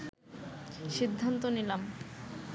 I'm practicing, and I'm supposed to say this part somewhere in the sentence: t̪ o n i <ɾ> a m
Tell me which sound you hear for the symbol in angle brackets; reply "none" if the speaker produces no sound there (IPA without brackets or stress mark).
l